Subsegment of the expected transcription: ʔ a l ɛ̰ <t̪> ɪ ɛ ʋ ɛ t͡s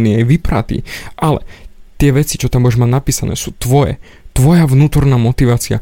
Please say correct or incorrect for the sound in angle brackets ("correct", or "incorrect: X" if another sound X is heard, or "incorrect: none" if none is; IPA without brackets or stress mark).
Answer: correct